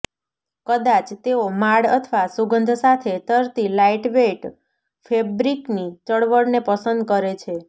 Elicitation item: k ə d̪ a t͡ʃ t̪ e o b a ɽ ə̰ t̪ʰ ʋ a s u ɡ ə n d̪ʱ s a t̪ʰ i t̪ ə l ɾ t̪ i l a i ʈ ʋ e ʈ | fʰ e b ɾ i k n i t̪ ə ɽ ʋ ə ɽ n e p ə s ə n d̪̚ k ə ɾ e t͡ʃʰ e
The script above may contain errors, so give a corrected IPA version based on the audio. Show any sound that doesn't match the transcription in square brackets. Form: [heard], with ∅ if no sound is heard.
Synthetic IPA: k ə d̪ a t͡ʃ t̪ e o [m] a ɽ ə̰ t̪ʰ ʋ a s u ɡ ə n d̪ʱ s a t̪ʰ [e] t̪ ə [∅] ɾ t̪ i l a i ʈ ʋ e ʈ | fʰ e b ɾ i k n i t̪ ə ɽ ʋ ə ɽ n e p ə s ə n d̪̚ k ə ɾ e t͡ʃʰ e